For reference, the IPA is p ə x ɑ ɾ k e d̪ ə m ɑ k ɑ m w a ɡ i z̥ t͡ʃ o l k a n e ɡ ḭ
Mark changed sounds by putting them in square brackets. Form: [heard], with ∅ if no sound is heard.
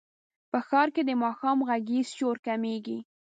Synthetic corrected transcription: p ə x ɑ ɾ k e d̪ ə m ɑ [x] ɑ m [ɣ] a ɡ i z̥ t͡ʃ o [ɾ] k a [m] e ɡ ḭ